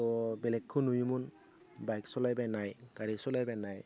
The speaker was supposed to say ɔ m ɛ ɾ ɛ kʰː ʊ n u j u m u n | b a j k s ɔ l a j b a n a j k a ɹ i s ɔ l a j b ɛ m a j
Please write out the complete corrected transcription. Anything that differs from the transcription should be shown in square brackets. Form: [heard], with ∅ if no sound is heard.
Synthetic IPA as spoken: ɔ [b] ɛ [l] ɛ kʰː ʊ n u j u m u n | b a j k s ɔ l a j b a n a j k a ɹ i s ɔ l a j b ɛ [n] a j